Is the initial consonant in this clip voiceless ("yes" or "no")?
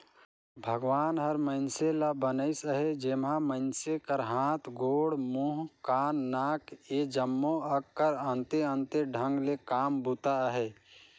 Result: no